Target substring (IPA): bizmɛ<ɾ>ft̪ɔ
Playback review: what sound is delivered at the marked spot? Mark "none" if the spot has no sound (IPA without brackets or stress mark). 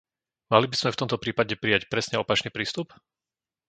none